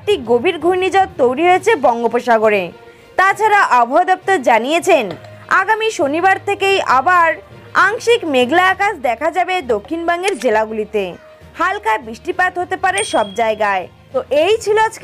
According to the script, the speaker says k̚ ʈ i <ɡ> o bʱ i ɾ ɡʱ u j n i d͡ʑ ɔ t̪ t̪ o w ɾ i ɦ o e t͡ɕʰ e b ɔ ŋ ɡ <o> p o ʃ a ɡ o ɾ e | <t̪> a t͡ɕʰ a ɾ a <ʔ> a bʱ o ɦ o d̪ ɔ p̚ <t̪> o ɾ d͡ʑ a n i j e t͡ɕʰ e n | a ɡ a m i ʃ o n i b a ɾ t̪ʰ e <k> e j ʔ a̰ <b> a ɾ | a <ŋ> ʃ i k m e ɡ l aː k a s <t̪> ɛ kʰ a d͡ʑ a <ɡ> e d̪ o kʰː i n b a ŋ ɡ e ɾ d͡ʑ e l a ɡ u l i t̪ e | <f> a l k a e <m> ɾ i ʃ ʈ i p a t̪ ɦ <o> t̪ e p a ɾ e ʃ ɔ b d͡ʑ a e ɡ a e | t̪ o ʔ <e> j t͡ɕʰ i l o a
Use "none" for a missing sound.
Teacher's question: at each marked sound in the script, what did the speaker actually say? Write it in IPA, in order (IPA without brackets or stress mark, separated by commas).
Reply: ɡ, o, t̪, ʔ, t̪, k, b, ŋ, d̪, b, h, b, o, e